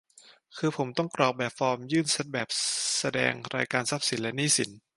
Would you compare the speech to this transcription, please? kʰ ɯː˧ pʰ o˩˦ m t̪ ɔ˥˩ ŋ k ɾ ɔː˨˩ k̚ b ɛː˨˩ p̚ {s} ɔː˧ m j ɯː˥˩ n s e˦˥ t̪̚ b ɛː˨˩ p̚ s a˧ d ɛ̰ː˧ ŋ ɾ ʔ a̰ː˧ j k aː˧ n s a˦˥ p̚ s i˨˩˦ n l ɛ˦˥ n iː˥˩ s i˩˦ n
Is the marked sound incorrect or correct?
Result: incorrect